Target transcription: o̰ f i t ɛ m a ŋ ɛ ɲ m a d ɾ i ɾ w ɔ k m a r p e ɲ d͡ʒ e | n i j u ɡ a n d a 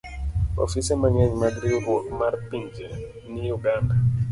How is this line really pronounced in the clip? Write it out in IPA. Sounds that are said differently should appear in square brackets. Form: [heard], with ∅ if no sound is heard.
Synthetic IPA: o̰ f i [s] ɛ m a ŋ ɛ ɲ m a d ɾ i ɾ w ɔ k m a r p [i] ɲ d͡ʒ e | n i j u ɡ a n d a